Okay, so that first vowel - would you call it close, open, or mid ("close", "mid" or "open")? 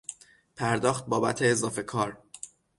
open